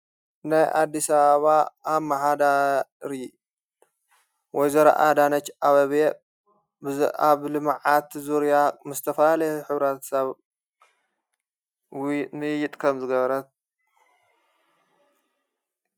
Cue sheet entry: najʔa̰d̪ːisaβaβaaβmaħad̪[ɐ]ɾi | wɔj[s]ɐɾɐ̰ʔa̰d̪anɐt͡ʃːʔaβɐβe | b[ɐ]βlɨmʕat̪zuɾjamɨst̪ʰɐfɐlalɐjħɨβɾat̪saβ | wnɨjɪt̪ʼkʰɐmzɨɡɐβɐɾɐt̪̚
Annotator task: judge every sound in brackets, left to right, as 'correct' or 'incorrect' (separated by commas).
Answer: incorrect, incorrect, incorrect